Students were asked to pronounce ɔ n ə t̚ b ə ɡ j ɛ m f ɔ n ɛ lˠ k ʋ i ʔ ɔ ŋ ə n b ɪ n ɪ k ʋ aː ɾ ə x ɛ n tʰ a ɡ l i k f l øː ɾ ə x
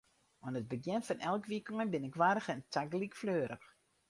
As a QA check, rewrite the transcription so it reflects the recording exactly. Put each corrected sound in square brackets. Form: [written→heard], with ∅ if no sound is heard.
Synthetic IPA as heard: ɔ n ə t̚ b ə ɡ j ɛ [m→n] f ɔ n ɛ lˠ k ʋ i [ʔ→k] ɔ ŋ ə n b ɪ n ɪ k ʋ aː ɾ ə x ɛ n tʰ a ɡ l i k f l øː ɾ ə x

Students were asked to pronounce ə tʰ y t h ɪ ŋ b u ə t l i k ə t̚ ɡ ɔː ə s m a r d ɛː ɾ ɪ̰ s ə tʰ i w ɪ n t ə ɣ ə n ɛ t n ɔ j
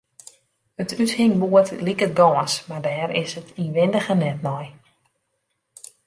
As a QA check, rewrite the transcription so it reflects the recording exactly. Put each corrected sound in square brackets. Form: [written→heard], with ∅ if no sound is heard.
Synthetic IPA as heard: ə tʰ y t h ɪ ŋ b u ə t l i k ə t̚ ɡ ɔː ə s m a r d ɛː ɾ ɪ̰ s ə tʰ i [w→ʋ] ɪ n [t→d] ə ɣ ə n ɛ t n ɔ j

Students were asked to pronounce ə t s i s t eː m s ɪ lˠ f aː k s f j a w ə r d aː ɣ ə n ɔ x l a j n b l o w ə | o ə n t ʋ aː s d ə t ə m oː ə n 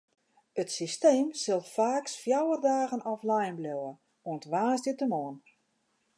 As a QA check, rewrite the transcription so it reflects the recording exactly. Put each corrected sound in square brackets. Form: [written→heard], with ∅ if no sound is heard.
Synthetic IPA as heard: ə t s i s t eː m s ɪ lˠ f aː k s f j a w ə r d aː ɣ ə n ɔ [x→f] l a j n b l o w ə | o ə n t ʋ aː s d ə t ə m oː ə n

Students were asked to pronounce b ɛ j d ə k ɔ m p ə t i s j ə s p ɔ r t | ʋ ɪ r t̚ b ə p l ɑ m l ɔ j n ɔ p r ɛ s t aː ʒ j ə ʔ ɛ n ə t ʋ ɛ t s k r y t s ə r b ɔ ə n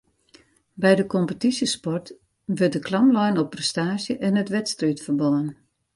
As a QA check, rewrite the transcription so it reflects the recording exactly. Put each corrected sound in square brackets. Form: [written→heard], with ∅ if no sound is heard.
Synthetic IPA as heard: b ɛ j d ə k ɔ m p ə t i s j ə s p ɔ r t | ʋ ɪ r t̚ [b→d] ə [p→k] l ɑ m l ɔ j n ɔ p r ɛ s t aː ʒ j ə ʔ ɛ n ə t ʋ ɛ t s [k→t] r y t [s→f] ə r b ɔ ə n

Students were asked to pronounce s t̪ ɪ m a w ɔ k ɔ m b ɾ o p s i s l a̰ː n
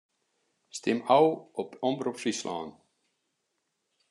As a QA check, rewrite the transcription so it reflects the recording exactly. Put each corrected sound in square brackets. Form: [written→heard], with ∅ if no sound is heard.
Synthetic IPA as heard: s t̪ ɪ m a w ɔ [k→p] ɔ m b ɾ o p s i s l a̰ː n

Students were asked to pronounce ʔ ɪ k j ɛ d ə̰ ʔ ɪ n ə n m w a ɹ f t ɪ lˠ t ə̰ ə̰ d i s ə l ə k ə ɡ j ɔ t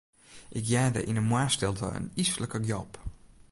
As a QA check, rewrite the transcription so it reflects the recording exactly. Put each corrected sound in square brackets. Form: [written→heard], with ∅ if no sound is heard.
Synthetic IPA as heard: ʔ ɪ k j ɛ d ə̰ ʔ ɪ n ə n m w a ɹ [f→s] t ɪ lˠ t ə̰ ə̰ [d→n] i s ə l ə k ə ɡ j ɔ [t→p]

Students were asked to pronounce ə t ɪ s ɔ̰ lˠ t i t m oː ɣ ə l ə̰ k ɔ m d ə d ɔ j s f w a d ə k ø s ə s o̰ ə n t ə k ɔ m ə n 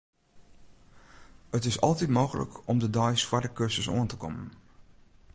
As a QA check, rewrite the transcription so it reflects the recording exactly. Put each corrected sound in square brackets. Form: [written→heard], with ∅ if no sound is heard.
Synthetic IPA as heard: ə t ɪ s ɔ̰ lˠ t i t m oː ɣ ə l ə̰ k ɔ m d ə d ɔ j s f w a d ə k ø s ə s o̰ ə n t ə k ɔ m ə n

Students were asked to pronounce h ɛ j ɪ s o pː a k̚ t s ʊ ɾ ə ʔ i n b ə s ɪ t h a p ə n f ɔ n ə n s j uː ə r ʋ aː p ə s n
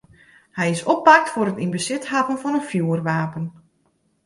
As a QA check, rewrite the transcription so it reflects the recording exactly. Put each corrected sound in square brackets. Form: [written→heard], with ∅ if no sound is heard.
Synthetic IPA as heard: h ɛ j ɪ s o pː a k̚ t [s→f] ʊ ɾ ə [ʔ→t] i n b ə s ɪ t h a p ə n f ɔ n ə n [s→f] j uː ə r ʋ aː p ə [s→∅] n

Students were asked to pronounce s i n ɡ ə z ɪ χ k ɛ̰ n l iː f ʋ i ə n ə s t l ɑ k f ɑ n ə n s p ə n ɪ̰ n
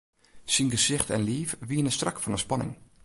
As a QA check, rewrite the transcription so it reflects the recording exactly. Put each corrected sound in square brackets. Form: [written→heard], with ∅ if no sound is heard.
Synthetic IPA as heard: s i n ɡ ə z ɪ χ [k→t] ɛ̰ n l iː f ʋ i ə n ə s t [l→r] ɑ k f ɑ n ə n s p [ə→ɑ] n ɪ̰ [n→ŋ]

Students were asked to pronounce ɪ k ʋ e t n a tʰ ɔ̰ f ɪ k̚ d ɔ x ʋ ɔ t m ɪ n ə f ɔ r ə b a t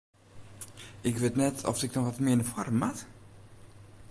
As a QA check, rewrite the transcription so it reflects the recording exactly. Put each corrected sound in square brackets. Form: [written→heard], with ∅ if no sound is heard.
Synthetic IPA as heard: ɪ k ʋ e t n [a→ɛ] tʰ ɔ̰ f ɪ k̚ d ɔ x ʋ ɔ t m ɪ n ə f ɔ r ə [b→m] a t

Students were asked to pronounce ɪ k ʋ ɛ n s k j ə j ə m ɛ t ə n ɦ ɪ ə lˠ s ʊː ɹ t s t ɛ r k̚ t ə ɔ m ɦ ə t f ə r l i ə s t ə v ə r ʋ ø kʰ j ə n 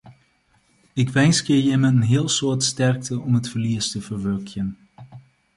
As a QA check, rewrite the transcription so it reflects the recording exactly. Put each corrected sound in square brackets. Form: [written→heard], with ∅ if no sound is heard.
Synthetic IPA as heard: ɪ k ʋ ɛ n s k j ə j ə m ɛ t ə n ɦ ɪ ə lˠ s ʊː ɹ t s t ɛ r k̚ t ə ɔ m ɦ ə t f ə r l i ə s t ə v ə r ʋ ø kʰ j ə n

